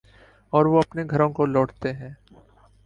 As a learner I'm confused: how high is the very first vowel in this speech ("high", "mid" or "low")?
mid